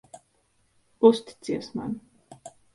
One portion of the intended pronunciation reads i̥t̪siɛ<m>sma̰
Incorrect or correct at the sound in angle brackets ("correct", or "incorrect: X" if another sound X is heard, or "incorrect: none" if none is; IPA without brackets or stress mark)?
incorrect: none